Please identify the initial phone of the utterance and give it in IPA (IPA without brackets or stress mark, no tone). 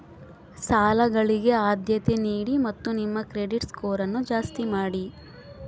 s